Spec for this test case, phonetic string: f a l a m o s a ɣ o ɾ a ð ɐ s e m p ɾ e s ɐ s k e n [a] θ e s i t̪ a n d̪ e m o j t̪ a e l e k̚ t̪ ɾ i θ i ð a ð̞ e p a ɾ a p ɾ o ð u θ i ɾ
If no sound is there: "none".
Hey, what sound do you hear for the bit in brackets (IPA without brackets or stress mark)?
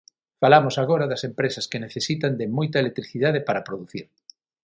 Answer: e